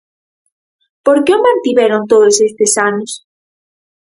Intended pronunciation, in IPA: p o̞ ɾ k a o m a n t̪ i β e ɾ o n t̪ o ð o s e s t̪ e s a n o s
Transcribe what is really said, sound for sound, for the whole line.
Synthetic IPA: p o̞ ɾ k e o m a n t̪ i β e ɾ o n t̪ o ð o s e s t̪ e s a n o s